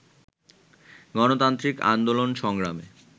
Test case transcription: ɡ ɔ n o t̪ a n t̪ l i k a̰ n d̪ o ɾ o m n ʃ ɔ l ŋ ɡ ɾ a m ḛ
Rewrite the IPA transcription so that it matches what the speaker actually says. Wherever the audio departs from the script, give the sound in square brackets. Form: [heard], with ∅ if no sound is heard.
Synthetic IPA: ɡ ɔ n o t̪ a n t̪ [ɾ] i k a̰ n d̪ o [l] o [∅] n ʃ ɔ [∅] ŋ ɡ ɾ a m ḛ